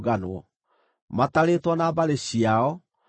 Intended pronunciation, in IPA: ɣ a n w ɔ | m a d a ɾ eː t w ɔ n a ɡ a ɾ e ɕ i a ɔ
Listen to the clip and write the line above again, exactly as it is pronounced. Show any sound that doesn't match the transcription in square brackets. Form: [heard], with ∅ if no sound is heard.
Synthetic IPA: ɣ a n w ɔ | m a [t] a ɾ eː t w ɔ n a [b] a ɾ e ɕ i a ɔ